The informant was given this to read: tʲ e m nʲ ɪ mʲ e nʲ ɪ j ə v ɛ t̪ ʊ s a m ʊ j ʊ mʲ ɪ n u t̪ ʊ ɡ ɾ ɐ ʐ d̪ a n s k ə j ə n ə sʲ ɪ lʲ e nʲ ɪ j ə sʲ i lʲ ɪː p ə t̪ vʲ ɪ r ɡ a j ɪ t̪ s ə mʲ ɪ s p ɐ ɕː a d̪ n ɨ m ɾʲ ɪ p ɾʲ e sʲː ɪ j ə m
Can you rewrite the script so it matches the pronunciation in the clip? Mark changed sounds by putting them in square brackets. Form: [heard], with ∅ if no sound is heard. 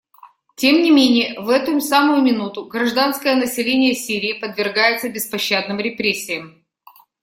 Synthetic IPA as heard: tʲ e m nʲ ɪ mʲ e nʲ ɪ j ə v ɛ t̪ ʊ s a m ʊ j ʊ mʲ ɪ n u t̪ ʊ ɡ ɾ ɐ ʐ d̪ a n s k ə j ə n ə sʲ ɪ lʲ e nʲ ɪ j ə sʲ i [ɾʲ] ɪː p ə [d̪] vʲ ɪ r ɡ a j ɪ t̪ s ə [bʲ] ɪ s p ɐ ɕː a d̪ n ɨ m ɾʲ ɪ p ɾʲ e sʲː ɪ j ə m

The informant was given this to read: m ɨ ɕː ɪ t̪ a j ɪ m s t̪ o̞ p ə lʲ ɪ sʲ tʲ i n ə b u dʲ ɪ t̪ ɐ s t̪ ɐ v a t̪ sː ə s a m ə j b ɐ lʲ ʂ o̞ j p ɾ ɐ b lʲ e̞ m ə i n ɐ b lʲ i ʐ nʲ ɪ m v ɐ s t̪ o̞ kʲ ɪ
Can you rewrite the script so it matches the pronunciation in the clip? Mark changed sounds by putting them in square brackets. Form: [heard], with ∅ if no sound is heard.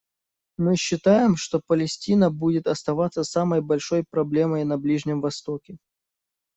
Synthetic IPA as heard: m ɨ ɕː ɪ t̪ a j ɪ m [ʂ] t̪ o̞ p ə lʲ ɪ sʲ tʲ i n ə b u dʲ ɪ t̪ ɐ s t̪ ɐ v a t̪ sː ə s a m ə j b ɐ lʲ ʂ o̞ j p ɾ ɐ b lʲ e̞ m ə [j] n ɐ b lʲ i ʐ nʲ ɪ m v ɐ s t̪ o̞ kʲ ɪ

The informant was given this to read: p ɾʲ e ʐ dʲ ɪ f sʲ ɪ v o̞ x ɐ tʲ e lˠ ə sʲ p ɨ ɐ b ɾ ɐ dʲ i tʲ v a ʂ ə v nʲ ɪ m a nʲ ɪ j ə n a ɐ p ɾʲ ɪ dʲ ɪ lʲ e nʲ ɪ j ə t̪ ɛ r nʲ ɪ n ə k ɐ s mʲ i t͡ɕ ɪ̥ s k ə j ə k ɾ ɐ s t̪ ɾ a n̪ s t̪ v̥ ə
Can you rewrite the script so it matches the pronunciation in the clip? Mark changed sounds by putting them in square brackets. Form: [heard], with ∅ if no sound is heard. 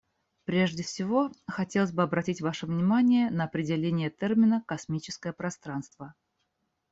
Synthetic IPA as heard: p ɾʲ e ʐ dʲ ɪ f sʲ ɪ v o̞ x ɐ tʲ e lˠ ə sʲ [b] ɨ ɐ b ɾ ɐ [tʲ] i tʲ v a ʂ ə v nʲ ɪ m a nʲ ɪ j ə n [ə] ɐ p ɾʲ ɪ dʲ ɪ lʲ e nʲ ɪ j ə t̪ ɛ r [mʲ] ɪ n ə k ɐ s mʲ i t͡ɕ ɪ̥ s k ə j ə [p] ɾ ɐ s t̪ ɾ a n̪ s t̪ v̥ ə

